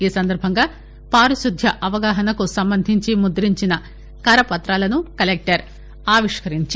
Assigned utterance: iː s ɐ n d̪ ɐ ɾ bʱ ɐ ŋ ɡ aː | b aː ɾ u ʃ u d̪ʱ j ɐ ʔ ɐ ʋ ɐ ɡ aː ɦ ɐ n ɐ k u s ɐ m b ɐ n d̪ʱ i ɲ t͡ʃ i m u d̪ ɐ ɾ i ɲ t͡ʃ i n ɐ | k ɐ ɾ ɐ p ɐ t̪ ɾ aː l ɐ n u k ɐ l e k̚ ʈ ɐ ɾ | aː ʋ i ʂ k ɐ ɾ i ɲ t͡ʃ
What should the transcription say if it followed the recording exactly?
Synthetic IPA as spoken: iː s ɐ n d̪ ɐ ɾ bʱ ɐ ŋ ɡ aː | p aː ɾ u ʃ u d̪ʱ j ɐ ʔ ɐ ʋ ɐ ɡ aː ɦ ɐ n ɐ k u s ɐ m b ɐ n d̪ʱ i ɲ t͡ʃ i m u d̪ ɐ ɾ i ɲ t͡ʃ i n ɐ | k ɐ ɾ ɐ p ɐ t̪ ɾ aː l ɐ n u k ɐ l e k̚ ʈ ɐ ɾ | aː ʋ i ʂ k ɐ ɾ i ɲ t͡ʃ